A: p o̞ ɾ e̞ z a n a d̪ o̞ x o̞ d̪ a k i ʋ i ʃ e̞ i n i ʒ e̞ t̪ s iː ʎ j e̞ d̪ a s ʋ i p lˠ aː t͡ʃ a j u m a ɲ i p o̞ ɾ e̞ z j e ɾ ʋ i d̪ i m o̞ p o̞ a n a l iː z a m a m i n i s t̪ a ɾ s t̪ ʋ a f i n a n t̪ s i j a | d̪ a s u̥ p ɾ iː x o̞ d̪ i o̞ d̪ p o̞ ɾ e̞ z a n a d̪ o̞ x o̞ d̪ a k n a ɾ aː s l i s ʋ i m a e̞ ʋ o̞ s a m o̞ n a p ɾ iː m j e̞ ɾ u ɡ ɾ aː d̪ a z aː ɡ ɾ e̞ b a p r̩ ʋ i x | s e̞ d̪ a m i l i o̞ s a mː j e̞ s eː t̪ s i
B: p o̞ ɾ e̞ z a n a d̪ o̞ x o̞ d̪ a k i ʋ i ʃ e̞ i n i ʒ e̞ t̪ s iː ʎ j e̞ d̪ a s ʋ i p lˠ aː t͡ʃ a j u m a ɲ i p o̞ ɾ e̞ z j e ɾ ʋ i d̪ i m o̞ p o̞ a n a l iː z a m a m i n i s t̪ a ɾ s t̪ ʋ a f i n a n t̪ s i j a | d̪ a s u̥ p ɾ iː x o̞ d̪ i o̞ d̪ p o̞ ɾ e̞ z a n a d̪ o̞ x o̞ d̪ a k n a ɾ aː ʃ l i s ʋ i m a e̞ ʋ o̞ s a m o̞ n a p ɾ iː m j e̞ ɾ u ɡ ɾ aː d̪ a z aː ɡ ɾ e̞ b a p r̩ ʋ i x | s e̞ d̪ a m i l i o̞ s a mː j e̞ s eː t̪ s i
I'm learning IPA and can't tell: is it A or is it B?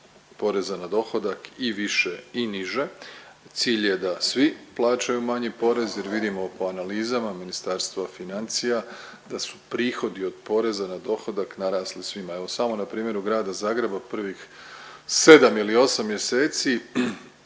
A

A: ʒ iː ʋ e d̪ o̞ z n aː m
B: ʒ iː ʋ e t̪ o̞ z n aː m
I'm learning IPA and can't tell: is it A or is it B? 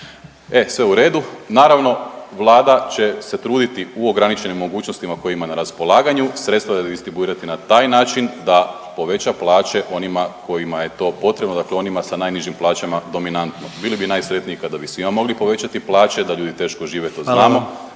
B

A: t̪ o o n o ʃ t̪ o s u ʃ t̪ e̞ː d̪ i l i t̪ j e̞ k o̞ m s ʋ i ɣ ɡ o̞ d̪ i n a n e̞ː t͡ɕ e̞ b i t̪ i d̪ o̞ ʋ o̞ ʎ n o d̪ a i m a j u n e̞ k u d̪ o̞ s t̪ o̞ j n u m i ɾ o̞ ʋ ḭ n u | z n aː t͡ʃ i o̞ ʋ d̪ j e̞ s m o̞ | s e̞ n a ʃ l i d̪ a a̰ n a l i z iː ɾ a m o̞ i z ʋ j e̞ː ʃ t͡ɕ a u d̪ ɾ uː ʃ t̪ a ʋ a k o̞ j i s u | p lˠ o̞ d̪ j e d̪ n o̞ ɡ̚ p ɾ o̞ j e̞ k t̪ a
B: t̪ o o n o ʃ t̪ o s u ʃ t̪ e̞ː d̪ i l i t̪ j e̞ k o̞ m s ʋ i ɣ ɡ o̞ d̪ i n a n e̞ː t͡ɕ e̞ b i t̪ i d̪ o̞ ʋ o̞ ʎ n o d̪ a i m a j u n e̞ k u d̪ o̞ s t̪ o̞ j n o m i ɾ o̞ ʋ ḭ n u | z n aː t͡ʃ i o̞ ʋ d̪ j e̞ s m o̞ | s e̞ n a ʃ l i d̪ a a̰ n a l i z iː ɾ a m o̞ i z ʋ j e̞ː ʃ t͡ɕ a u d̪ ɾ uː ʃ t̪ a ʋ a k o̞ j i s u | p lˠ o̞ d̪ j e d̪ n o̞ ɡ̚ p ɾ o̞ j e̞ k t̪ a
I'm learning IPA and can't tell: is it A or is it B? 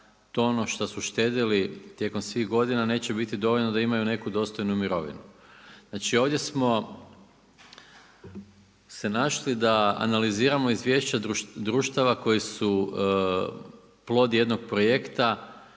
A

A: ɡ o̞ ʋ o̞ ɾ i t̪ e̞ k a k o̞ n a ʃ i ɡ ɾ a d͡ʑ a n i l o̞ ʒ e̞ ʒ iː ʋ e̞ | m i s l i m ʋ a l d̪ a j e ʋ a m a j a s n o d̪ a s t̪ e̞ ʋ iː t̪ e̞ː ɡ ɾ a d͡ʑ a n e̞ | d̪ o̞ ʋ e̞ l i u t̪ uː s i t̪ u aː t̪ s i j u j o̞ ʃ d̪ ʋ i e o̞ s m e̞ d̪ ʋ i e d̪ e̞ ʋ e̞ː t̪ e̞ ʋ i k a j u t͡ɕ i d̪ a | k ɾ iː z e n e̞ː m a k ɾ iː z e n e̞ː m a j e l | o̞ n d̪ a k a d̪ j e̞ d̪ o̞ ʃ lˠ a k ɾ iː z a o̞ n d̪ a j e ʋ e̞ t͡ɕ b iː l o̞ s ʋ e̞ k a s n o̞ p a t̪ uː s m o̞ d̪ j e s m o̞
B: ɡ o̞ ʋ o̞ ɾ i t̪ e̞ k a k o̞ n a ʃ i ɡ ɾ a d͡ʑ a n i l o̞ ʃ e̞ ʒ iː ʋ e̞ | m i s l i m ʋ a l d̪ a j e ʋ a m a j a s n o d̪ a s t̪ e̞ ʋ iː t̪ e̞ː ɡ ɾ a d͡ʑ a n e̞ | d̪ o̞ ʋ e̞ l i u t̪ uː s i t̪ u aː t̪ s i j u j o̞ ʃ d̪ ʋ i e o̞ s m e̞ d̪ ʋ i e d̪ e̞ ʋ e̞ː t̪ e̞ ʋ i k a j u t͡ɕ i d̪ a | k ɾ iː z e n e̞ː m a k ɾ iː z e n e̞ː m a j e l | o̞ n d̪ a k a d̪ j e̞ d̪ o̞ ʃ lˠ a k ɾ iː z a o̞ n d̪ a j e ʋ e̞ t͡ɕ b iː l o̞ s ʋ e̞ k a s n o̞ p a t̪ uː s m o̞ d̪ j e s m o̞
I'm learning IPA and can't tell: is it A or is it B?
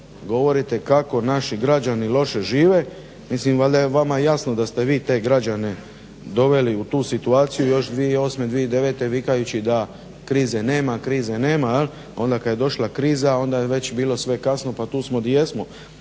B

